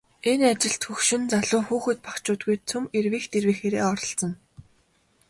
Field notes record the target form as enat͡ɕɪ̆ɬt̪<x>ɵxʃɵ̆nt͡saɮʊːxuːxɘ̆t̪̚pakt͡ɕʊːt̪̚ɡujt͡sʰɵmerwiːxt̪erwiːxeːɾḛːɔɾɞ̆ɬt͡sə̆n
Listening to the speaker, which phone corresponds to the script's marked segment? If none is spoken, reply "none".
x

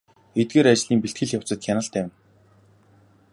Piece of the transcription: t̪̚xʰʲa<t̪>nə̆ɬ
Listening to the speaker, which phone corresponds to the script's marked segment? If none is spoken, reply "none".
none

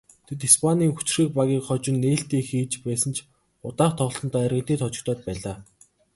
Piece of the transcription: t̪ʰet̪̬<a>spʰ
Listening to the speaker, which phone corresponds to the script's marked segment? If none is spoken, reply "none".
i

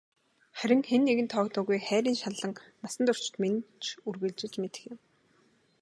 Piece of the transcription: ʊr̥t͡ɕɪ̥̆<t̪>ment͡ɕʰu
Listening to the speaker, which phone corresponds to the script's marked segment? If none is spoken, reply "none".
t̪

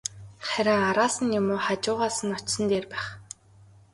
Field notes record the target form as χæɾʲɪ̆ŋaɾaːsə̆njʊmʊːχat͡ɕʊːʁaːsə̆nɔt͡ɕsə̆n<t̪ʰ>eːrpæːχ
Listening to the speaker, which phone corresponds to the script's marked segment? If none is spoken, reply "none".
t̪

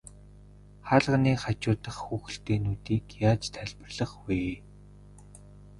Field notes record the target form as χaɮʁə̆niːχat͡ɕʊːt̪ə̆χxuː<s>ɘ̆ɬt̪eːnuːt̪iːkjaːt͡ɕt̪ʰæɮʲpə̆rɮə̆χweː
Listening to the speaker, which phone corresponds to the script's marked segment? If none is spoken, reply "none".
x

